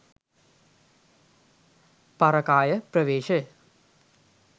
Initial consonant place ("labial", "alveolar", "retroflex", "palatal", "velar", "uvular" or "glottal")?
labial